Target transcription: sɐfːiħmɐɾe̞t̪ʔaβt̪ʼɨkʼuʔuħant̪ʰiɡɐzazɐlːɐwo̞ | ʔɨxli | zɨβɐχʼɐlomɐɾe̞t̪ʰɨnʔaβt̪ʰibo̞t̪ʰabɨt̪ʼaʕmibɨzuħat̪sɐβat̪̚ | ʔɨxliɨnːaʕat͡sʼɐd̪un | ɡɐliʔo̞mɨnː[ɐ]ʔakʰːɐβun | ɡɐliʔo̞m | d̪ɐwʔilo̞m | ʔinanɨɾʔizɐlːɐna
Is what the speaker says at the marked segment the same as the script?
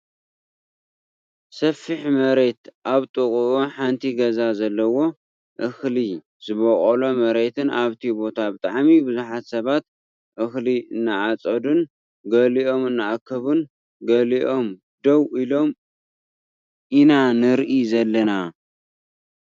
no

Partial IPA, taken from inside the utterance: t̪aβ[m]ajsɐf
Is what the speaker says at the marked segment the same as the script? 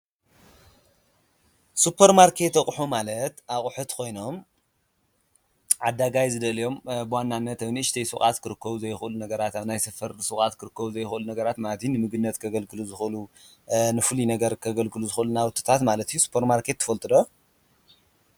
no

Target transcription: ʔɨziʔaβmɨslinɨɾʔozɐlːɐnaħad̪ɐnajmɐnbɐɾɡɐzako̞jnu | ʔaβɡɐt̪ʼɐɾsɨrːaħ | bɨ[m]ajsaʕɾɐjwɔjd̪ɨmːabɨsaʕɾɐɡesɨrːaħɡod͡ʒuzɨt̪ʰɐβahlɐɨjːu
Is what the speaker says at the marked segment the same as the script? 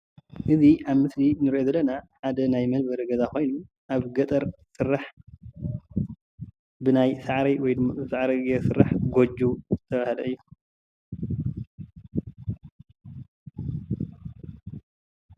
no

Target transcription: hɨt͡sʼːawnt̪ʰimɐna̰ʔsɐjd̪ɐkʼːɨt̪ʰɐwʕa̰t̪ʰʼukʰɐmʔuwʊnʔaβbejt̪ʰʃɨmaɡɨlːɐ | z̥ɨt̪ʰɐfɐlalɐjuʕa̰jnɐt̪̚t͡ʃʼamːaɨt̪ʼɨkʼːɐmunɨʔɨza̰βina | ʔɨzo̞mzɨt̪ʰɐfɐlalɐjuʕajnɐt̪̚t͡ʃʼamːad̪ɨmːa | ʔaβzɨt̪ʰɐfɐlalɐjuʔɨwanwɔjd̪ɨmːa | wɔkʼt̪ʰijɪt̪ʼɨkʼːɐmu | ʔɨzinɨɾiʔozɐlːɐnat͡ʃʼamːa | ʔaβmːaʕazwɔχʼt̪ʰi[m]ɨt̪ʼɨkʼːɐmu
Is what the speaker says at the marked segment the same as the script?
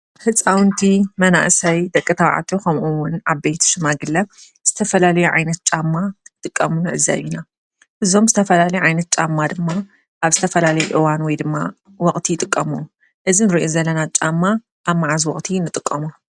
no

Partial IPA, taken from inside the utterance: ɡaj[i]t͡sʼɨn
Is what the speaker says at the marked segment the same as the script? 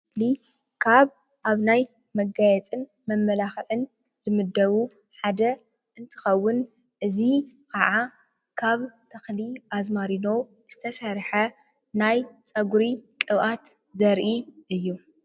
no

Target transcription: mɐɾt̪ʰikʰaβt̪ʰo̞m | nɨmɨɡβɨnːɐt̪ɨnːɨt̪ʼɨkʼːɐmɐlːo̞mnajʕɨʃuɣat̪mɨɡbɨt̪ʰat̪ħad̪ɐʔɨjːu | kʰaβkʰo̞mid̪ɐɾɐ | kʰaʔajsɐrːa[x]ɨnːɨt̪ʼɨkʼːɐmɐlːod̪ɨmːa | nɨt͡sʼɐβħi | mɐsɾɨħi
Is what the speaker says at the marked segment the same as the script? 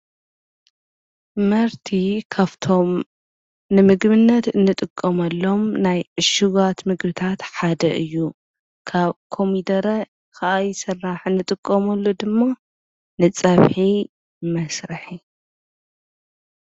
no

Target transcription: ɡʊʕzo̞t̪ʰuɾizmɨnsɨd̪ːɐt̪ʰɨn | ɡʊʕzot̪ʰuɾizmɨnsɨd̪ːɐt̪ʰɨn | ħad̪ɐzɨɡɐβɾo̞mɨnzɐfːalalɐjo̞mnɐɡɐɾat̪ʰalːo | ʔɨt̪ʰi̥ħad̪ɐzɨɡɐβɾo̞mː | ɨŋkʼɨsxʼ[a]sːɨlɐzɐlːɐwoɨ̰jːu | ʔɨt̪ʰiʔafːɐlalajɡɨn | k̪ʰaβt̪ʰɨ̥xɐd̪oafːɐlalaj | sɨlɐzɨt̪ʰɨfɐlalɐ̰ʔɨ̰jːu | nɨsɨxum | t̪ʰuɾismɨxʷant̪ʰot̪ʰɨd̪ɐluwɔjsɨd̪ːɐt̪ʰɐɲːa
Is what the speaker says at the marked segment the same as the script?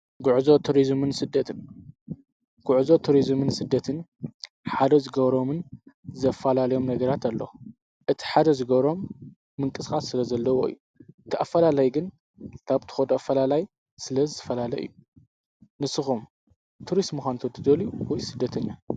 yes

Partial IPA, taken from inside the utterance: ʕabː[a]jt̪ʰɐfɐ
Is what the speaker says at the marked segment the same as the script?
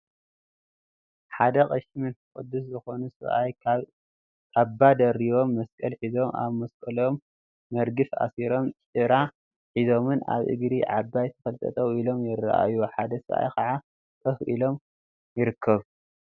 yes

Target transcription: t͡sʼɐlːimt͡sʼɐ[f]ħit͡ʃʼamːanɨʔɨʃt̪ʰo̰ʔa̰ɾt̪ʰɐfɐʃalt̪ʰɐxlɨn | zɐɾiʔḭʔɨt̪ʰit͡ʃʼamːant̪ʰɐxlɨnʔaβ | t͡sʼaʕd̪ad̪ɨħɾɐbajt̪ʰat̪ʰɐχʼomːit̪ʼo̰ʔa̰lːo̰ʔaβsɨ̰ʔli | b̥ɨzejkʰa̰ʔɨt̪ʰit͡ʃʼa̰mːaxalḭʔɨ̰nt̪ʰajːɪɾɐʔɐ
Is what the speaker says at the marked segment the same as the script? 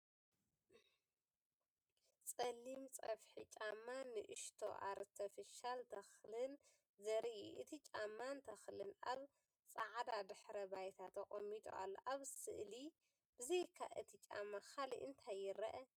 yes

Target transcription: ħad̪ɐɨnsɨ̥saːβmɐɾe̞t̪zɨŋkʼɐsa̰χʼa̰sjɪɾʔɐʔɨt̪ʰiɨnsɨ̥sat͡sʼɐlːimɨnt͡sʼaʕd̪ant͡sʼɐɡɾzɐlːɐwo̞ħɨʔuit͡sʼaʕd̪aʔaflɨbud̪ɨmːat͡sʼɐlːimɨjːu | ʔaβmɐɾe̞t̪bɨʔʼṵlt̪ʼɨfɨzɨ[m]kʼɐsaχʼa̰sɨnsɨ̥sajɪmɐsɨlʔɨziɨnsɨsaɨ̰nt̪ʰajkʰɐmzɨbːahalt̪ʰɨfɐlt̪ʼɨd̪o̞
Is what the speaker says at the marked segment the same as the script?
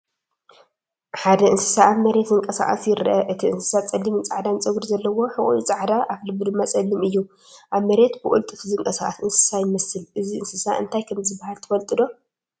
no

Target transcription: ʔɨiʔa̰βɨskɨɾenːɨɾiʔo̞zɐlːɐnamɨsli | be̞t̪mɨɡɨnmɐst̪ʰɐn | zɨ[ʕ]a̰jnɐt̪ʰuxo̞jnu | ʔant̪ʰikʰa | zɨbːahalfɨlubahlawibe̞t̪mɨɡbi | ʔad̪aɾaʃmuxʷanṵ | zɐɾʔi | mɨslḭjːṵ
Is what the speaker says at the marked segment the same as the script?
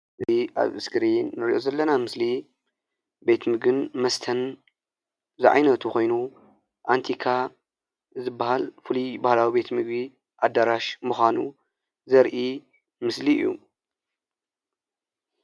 yes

